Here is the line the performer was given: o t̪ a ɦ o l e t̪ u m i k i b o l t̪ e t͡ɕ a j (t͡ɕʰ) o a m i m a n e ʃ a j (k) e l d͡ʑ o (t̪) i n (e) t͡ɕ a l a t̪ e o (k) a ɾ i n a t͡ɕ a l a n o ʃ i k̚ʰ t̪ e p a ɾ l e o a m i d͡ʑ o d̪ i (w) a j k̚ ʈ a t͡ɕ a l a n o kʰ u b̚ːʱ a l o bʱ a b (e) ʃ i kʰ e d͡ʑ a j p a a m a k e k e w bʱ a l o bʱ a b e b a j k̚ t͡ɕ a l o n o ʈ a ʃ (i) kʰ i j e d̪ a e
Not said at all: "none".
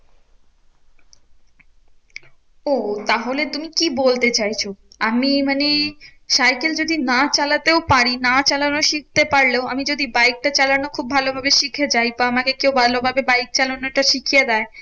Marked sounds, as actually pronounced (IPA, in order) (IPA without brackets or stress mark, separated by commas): t͡ɕʰ, k, d̪, a, p, b, e, i